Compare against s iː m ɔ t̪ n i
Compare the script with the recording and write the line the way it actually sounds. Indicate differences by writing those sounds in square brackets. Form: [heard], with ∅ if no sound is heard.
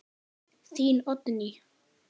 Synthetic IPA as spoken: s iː [n] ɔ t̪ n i